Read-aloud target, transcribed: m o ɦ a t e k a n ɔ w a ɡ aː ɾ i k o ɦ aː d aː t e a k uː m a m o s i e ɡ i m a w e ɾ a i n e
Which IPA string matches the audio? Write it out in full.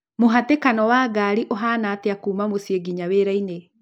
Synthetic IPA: m o ɦ a t e k a n ɔ w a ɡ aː ɾ i ʔ o ɦ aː n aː t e a k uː m a m o s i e ɡ i ɲ a w e ɾ a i n e